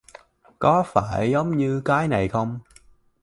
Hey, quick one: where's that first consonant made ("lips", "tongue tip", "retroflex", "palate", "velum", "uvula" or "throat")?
velum